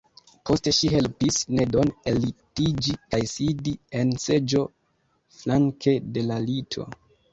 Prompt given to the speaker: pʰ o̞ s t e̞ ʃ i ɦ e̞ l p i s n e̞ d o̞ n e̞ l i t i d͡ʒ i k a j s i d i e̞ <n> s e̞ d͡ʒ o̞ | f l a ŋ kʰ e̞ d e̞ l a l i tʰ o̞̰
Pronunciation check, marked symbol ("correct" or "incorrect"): correct